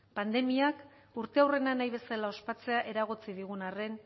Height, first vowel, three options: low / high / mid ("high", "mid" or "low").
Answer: low